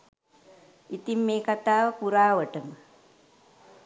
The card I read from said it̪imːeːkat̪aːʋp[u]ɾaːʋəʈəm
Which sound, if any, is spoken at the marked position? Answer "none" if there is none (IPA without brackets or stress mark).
u